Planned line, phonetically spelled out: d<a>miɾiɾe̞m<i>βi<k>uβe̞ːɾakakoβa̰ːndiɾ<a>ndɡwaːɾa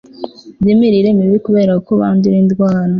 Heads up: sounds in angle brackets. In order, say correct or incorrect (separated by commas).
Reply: incorrect, correct, correct, incorrect